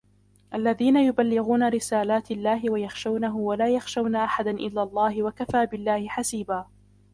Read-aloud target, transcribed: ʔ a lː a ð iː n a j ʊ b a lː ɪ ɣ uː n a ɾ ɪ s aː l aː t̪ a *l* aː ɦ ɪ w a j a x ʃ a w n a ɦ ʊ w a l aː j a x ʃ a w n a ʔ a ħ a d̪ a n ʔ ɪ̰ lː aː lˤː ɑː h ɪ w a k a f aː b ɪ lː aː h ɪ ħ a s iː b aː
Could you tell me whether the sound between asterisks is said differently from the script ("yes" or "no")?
yes